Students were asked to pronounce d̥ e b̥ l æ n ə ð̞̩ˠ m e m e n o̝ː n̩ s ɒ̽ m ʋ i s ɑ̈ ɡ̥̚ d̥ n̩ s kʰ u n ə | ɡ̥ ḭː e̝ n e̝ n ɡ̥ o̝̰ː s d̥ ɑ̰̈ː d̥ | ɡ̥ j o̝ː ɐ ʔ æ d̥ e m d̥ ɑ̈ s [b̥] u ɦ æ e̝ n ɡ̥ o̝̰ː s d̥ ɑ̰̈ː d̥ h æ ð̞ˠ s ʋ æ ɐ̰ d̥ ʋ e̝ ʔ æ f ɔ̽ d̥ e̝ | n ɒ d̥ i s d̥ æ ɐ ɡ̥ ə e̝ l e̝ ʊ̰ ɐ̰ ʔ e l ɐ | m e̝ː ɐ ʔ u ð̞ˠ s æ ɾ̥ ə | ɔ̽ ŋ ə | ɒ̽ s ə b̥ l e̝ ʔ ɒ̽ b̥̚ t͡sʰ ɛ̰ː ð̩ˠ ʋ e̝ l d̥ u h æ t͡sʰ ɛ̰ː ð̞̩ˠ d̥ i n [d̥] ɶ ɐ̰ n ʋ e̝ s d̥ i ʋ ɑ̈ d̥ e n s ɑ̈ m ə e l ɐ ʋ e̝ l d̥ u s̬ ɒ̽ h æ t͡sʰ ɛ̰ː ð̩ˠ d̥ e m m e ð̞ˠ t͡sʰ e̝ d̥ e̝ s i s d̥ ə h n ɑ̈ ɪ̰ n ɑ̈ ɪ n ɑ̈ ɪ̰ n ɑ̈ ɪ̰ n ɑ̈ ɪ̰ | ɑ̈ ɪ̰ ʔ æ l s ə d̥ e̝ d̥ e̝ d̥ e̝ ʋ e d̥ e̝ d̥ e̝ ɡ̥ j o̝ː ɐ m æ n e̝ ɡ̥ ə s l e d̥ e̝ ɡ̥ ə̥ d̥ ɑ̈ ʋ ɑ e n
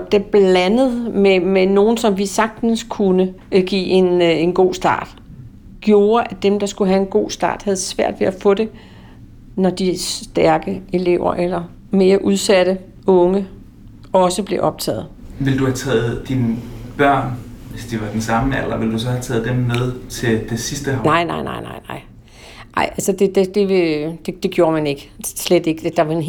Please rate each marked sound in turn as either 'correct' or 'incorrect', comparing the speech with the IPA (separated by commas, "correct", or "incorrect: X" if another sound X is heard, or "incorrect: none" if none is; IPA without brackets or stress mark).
incorrect: ɡ̥, incorrect: b̥